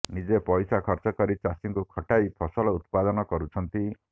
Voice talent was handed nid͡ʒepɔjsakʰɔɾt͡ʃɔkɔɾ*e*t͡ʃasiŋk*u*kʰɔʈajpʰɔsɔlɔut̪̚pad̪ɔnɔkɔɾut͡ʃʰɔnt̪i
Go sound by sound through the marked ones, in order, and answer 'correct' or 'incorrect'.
incorrect, correct

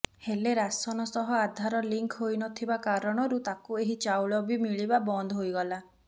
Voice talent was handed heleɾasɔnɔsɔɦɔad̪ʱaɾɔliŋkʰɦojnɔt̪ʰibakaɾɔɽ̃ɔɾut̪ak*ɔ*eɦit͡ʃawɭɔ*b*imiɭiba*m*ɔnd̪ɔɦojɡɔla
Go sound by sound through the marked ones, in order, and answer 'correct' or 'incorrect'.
incorrect, correct, incorrect

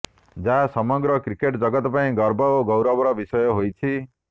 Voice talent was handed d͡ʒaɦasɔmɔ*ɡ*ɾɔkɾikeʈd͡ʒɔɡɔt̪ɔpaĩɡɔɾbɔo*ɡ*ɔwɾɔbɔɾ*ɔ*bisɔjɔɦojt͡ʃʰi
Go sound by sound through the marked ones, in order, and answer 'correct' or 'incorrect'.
correct, correct, correct

